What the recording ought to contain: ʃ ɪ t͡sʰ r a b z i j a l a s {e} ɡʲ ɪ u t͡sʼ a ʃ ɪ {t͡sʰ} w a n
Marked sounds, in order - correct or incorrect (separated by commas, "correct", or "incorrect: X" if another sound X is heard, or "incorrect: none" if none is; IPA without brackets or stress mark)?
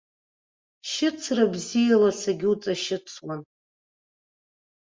incorrect: a, correct